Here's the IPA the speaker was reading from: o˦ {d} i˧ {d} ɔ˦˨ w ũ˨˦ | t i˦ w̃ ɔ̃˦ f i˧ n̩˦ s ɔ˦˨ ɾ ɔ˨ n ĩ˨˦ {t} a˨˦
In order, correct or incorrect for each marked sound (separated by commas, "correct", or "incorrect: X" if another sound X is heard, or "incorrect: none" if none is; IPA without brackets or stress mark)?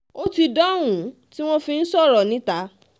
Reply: incorrect: t, correct, correct